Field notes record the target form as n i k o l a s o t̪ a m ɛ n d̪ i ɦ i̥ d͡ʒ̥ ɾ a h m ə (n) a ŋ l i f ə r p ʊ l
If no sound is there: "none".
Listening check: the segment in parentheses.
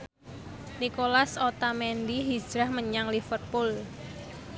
ɲ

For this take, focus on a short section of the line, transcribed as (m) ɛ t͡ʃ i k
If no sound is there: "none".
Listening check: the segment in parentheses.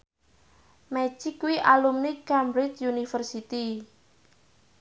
m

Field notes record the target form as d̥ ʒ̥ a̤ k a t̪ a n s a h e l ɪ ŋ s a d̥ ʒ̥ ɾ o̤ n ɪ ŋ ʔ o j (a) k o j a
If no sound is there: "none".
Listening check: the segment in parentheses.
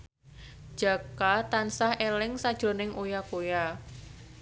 a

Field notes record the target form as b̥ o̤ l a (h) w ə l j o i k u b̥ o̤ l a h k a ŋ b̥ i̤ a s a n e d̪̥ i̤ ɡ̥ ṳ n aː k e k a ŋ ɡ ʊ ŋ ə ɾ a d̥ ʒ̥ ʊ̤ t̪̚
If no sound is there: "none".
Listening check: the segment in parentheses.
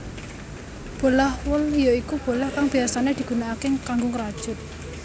h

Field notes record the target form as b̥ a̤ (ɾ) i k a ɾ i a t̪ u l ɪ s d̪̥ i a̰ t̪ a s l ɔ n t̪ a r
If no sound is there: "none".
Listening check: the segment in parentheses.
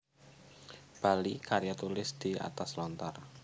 l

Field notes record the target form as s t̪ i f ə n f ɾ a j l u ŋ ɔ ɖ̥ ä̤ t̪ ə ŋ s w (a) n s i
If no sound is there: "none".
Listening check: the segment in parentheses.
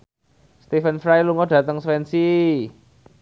ɛ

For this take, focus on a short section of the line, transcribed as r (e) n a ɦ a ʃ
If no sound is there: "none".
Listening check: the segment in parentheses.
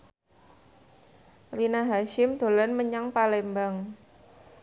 i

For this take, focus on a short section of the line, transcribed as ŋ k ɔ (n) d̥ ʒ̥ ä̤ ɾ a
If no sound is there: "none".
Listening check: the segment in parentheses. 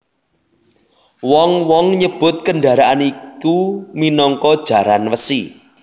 none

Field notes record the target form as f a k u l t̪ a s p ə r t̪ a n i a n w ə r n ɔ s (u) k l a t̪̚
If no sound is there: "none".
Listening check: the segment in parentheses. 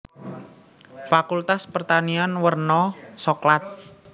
ɔ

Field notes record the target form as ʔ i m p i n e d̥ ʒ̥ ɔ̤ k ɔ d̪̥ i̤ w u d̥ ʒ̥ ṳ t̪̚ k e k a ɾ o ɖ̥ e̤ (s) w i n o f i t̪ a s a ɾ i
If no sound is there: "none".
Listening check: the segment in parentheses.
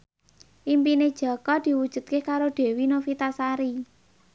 none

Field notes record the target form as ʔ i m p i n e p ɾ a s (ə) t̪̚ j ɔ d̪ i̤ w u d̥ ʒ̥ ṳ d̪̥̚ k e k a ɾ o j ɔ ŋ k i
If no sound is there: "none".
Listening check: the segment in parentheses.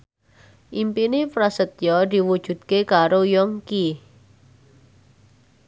ə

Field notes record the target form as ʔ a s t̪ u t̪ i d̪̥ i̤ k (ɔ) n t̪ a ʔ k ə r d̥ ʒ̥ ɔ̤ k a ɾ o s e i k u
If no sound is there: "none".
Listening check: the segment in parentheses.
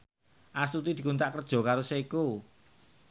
u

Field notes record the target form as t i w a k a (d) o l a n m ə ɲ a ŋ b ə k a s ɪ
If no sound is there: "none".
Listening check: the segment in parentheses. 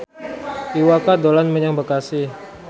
d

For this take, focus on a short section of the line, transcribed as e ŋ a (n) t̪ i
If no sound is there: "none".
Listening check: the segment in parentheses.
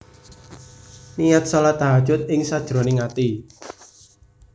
none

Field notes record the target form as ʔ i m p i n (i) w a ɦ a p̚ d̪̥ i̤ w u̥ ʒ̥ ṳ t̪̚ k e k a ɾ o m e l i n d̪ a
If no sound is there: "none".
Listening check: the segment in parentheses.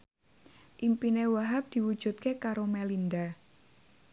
e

